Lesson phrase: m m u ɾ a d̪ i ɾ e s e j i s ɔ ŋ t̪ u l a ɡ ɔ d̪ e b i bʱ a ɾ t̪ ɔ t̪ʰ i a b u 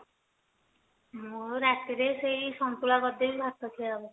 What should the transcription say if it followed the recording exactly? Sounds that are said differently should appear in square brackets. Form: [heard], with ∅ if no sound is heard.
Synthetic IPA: m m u ɾ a [t̪] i ɾ e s e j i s ɔ [n] t̪ u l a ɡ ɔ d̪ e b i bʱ a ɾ t̪ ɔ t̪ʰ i a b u

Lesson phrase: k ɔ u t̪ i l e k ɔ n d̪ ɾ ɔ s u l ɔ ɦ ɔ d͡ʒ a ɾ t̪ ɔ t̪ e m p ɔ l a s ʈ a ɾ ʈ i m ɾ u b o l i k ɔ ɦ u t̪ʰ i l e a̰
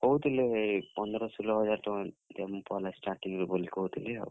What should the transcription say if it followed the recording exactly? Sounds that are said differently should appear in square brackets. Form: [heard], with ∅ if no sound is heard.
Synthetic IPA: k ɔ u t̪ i l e [p] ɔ n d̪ ɾ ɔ s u l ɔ ɦ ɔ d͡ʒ a ɾ t̪ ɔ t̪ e m p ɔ l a s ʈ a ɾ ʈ i [ŋ] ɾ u b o l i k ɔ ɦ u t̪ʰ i l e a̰

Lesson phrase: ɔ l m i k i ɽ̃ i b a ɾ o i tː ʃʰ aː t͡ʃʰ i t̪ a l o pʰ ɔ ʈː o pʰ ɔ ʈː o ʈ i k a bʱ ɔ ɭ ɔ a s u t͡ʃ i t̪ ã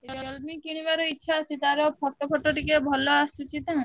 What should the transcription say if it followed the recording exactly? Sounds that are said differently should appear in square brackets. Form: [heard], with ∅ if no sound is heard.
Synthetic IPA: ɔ l m i k i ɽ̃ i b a ɾ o i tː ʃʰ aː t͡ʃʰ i t̪ a [ɾ] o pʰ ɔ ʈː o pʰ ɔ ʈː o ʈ i k [e] bʱ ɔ [l] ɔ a s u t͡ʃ i t̪ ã

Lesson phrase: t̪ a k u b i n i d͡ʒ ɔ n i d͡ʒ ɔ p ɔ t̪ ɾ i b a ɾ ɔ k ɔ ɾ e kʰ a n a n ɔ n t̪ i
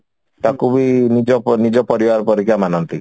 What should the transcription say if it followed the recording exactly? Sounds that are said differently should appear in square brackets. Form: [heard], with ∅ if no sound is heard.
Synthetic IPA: t̪ a k u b i n i d͡ʒ ɔ n i d͡ʒ ɔ p ɔ [∅] ɾ i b a ɾ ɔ [p] ɔ ɾ [i] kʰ a [m] a n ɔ n t̪ i

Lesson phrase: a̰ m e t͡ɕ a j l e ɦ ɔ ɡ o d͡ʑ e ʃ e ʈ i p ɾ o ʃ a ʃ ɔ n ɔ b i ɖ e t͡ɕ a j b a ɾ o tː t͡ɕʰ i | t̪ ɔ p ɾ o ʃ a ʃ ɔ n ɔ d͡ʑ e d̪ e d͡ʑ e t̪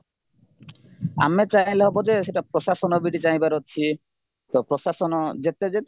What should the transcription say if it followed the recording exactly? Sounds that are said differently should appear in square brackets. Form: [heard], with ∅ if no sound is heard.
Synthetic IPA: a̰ m e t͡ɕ a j l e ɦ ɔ [b] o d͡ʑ e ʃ e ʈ [a] p ɾ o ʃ a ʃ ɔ n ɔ b i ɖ [i] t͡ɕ a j b a ɾ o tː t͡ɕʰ i | t̪ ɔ p ɾ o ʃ a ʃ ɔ n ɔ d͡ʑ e [t̪] e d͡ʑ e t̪

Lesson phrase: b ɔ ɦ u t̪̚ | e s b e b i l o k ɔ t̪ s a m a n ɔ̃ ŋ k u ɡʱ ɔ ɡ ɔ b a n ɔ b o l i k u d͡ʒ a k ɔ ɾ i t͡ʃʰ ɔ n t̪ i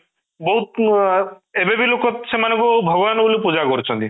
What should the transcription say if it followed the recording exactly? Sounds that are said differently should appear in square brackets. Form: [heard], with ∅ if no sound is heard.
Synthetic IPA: b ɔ ɦ u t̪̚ | e [∅] b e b i l o k ɔ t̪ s [e] m a n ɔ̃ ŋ k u [bʱ] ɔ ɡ ɔ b a n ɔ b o l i [p] u d͡ʒ a k ɔ ɾ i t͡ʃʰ ɔ n t̪ i

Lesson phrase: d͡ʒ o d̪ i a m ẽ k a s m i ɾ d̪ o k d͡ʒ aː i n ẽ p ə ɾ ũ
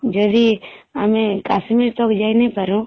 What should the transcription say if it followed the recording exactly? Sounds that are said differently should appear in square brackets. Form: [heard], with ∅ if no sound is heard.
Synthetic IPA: d͡ʒ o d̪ i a m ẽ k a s m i ɾ [t̪] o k d͡ʒ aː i n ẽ p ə ɾ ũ

